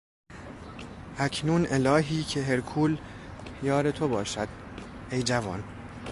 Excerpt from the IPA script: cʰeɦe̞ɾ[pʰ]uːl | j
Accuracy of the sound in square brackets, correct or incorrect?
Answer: incorrect